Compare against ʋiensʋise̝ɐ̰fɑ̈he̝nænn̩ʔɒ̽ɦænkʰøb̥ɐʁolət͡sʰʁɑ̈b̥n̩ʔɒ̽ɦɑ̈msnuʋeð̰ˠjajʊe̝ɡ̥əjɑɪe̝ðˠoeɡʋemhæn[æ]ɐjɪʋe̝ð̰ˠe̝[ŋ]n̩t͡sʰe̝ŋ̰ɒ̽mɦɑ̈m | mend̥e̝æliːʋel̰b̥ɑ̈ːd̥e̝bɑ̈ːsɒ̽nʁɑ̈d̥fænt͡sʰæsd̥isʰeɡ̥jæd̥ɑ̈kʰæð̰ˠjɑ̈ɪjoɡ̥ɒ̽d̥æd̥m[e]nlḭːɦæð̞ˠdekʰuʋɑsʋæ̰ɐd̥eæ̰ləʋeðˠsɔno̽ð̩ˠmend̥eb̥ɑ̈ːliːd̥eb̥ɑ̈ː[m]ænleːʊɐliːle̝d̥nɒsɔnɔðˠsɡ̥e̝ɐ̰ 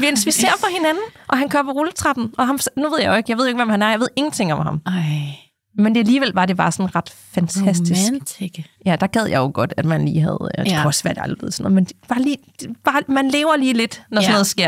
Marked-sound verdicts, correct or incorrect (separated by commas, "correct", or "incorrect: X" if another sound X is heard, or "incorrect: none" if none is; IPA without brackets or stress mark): correct, correct, incorrect: æ, correct